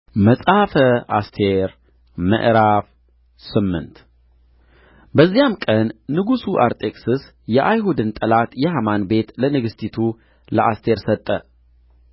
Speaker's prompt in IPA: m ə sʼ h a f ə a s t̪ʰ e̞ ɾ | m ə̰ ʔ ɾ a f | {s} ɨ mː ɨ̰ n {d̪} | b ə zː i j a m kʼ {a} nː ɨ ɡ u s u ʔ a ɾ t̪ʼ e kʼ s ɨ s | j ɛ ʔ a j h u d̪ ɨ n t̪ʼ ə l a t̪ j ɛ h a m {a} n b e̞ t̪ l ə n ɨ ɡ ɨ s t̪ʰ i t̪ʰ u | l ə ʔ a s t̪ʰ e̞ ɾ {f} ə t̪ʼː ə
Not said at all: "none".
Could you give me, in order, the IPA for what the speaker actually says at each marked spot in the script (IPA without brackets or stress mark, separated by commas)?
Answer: s, t̪, ə, a, s